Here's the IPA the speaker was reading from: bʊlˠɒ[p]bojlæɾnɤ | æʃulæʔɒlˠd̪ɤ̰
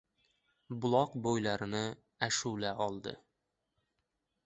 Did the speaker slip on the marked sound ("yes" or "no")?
yes